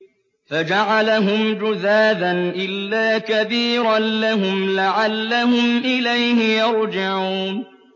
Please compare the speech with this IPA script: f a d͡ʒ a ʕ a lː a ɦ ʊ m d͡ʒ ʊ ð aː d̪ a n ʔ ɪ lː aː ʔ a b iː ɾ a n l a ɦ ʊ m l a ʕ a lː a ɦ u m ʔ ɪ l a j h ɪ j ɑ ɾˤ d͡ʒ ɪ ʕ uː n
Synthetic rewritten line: f a d͡ʒ a ʕ a l a ɦ ʊ m d͡ʒ ʊ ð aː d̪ a n ʔ ɪ lː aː k a b iː ɾ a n l a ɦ ʊ m l a ʕ a lː a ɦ ʊ m ʔ ɪ l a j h ɪ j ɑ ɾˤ d͡ʒ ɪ ʕ uː n